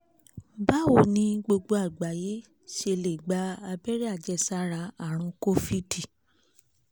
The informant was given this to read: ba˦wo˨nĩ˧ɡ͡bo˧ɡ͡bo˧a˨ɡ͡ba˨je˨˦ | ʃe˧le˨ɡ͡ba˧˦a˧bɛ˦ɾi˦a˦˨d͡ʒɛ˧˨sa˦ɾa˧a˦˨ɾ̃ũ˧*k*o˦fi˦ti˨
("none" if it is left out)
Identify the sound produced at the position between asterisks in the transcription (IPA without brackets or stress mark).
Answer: k